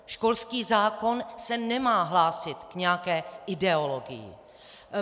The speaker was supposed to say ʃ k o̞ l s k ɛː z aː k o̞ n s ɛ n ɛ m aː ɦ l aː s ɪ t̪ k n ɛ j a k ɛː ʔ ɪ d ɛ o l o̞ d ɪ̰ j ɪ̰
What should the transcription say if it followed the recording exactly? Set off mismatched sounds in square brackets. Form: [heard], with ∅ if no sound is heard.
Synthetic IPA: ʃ k o̞ l s k [iː] z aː k o̞ n s ɛ n ɛ m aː ɦ l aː s ɪ t̪ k [ɲ] ɛ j a k ɛː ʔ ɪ d ɛ o l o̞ [ɡ] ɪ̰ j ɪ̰